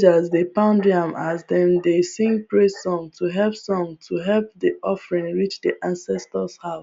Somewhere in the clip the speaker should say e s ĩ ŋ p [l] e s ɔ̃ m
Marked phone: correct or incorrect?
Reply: incorrect